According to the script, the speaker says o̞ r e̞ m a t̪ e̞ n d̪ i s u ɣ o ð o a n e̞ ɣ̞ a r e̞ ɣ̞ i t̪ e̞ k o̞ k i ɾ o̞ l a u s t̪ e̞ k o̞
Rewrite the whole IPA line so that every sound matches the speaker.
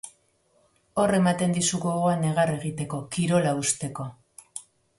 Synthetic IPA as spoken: o̞ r e̞ m a t̪ e̞ n d̪ i s u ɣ o ɣ o a n e̞ ɣ̞ a r e̞ ɣ̞ i t̪ e̞ k o̞ k i ɾ o̞ l a u s t̪ e̞ k o̞